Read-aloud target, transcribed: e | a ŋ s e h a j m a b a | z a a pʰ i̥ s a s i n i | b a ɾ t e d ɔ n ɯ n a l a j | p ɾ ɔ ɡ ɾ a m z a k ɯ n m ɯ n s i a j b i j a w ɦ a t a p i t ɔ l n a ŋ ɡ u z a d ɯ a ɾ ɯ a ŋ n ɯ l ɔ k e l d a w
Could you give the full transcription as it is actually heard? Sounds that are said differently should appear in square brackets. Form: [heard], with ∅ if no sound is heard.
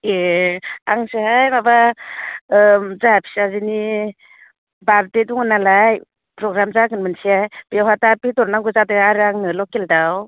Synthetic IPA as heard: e | a ŋ s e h a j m a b a | z a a pʰ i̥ s a [z] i n i | b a ɾ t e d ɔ [ŋ] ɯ n a l a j | p ɾ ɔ ɡ ɾ a m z a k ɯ n m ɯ n s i a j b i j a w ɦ a t a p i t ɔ [ɾ] n a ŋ ɡ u z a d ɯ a ɾ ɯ a ŋ n ɯ l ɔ k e l d a w